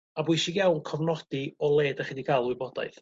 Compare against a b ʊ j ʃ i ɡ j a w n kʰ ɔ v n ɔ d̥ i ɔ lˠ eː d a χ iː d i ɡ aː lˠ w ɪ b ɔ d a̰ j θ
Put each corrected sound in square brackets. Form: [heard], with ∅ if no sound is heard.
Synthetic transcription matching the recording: a b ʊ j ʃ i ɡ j a w n kʰ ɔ v n ɔ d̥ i ɔ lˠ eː d a χ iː d i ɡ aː lˠ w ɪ b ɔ d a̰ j θ